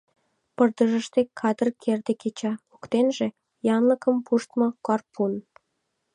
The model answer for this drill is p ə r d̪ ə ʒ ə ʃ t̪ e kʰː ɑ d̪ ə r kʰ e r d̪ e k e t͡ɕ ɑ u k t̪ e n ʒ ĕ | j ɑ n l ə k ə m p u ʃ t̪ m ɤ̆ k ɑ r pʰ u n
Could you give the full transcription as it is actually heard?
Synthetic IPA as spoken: p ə r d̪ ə ʒ ə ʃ t̪ e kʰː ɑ d̪ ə r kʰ e r d̪ e k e t͡ɕ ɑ u k t̪ e n ʒ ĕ | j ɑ n l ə k ə m p u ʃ t̪ m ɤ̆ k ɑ r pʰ u n